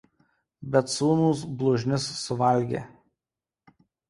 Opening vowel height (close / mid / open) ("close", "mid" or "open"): mid